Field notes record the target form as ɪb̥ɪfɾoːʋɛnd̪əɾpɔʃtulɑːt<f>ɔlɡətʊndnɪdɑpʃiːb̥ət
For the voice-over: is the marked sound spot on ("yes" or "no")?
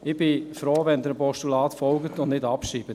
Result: yes